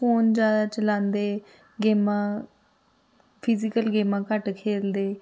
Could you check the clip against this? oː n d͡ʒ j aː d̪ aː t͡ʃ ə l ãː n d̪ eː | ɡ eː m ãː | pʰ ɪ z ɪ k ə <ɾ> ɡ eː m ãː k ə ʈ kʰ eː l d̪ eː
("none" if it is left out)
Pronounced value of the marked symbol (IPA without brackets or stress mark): l